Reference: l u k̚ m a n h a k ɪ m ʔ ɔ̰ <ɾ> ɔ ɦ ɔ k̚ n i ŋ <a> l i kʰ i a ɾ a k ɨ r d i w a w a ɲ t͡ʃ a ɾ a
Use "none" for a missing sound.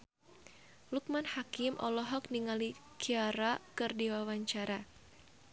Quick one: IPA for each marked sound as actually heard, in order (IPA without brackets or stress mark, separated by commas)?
l, a